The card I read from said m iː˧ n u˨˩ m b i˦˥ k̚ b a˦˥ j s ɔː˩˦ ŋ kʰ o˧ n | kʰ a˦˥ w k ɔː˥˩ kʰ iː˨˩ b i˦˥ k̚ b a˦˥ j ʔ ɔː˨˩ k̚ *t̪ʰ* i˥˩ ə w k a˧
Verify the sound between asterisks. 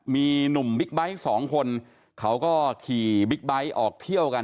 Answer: correct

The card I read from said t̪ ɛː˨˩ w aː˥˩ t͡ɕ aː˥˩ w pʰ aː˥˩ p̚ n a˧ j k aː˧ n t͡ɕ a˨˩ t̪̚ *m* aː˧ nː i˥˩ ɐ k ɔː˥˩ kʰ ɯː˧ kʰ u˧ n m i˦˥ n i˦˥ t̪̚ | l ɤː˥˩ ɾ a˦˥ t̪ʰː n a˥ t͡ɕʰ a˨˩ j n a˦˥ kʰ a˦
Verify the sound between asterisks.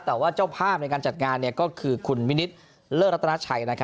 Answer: incorrect: ŋ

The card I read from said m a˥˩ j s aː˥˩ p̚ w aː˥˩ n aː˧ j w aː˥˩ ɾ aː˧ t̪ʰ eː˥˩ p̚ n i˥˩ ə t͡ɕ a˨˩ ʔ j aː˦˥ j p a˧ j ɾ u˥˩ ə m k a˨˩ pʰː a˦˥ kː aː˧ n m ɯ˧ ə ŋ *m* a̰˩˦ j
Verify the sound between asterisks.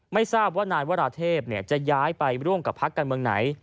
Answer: incorrect: n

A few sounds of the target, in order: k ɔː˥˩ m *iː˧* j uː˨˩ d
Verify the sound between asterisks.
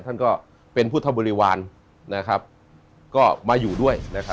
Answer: incorrect: aː˧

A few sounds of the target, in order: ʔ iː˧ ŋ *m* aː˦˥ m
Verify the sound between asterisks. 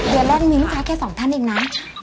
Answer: incorrect: n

